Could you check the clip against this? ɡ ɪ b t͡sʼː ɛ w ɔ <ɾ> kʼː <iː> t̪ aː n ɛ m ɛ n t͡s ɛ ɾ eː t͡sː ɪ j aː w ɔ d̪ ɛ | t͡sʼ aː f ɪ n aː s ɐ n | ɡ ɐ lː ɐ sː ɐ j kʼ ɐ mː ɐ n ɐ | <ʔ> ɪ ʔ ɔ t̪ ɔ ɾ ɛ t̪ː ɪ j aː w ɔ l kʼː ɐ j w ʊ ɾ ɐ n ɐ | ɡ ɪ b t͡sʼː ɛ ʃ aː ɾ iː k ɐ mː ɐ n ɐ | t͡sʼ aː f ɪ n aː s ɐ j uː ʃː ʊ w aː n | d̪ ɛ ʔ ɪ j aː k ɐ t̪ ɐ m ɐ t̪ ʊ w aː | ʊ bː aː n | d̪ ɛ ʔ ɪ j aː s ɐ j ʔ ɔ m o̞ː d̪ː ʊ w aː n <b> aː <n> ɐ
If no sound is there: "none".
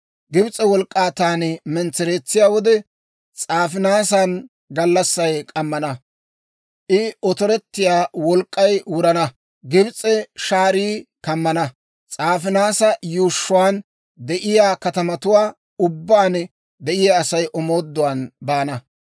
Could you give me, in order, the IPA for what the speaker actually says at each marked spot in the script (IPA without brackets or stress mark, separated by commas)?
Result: l, aː, ʔ, b, n